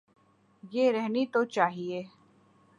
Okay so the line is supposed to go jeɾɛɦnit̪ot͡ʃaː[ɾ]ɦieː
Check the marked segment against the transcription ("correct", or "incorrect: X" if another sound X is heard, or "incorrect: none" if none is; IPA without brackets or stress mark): incorrect: none